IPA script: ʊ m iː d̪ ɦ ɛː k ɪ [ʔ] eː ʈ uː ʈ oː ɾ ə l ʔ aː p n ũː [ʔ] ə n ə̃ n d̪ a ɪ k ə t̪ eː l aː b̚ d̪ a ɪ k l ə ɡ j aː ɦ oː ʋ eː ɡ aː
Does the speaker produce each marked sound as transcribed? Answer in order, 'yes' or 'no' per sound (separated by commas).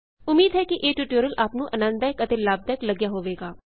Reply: yes, yes